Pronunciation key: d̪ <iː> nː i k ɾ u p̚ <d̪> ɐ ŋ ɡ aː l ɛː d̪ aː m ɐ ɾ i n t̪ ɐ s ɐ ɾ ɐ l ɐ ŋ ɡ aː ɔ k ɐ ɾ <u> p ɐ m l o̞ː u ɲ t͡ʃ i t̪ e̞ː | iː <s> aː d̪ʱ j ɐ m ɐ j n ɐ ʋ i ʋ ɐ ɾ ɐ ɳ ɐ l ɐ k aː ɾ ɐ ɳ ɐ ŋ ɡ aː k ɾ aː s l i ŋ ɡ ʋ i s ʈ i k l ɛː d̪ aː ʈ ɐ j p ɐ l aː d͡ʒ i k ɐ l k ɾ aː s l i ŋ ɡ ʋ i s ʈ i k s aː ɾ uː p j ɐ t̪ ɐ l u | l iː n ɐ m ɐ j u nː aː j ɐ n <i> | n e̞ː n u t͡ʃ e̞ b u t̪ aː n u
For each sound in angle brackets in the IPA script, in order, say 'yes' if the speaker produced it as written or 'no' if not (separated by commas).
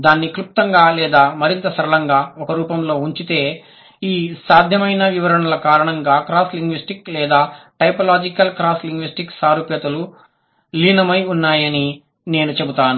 no, no, no, yes, yes